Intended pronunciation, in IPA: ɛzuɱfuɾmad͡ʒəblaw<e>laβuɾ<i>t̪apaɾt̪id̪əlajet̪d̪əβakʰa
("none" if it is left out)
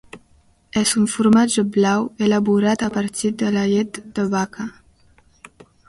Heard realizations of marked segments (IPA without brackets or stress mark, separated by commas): e, a